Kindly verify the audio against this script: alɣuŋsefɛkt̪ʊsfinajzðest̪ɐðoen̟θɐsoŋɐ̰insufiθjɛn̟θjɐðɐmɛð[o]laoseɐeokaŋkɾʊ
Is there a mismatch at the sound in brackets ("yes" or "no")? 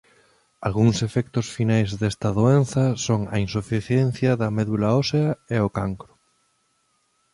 yes